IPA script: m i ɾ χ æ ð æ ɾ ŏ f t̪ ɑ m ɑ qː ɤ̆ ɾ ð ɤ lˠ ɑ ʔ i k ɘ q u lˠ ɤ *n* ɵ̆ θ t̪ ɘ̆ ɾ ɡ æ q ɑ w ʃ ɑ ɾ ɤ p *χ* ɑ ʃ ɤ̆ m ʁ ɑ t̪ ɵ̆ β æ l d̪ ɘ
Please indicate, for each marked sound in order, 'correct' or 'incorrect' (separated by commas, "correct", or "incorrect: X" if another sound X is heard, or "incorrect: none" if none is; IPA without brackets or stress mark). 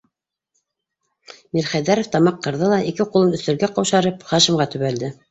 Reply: correct, correct